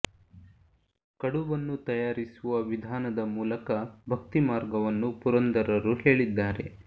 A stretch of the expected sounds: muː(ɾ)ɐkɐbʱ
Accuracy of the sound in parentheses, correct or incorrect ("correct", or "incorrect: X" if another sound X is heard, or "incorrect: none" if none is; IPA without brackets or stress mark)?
incorrect: l